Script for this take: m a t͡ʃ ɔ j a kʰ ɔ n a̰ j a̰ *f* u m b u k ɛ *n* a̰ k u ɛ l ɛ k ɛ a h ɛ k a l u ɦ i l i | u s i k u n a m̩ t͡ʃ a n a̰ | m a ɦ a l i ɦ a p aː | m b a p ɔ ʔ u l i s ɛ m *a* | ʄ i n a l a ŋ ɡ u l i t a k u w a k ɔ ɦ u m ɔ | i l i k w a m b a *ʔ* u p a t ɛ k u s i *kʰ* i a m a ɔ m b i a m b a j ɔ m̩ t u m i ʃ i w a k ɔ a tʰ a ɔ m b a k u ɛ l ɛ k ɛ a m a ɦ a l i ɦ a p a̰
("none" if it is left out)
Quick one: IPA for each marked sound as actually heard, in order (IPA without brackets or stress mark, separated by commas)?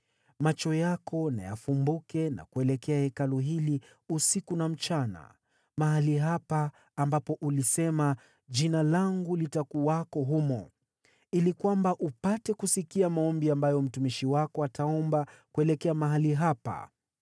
f, n, a, ʔ, k